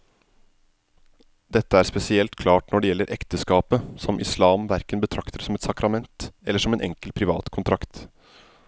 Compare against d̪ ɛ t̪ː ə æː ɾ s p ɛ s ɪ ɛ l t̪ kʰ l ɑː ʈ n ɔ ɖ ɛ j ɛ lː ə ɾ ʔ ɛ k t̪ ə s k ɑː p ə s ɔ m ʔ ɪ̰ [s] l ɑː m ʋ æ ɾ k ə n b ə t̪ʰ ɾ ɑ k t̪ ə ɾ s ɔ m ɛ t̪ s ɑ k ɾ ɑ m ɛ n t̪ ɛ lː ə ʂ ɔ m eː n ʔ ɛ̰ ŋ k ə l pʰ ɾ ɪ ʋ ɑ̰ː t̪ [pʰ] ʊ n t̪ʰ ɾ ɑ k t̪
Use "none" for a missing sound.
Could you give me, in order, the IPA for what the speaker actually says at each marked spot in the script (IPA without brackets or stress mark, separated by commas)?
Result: s, kʰ